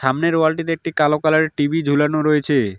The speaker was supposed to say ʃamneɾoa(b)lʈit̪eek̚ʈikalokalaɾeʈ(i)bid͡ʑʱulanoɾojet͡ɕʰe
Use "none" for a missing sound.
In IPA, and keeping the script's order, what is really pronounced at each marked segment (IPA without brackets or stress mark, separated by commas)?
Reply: none, i